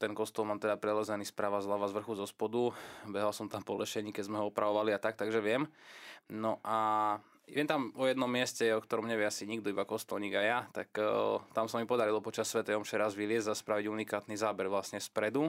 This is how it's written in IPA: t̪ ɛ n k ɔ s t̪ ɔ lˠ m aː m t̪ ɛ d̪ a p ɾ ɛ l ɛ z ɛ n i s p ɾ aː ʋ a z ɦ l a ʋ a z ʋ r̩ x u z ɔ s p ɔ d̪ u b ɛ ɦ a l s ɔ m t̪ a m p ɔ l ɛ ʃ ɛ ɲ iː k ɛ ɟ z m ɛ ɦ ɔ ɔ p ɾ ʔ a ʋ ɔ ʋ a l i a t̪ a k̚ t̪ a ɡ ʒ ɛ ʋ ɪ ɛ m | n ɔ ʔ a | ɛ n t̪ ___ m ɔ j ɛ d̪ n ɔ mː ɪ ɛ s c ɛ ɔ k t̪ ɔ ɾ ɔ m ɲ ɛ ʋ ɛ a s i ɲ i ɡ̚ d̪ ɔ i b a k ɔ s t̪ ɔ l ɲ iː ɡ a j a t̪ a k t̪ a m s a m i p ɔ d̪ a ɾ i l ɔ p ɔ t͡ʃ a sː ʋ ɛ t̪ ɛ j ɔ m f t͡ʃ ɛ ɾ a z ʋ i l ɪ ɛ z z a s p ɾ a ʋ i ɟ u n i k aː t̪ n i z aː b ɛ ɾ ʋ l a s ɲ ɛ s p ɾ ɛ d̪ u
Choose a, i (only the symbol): a